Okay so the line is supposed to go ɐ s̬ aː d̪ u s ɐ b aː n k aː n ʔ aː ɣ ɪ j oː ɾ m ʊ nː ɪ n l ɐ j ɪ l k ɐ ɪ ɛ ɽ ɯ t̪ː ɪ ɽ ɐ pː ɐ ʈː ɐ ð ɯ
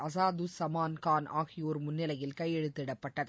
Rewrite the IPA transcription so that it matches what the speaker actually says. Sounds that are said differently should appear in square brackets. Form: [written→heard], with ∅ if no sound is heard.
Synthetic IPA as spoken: ɐ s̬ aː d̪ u s ɐ [b→m] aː n k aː n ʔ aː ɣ ɪ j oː ɾ m ʊ nː ɪ [n→∅] l ɐ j ɪ l k ɐ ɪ ɛ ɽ ɯ t̪ː ɪ ɽ ɐ pː ɐ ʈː ɐ ð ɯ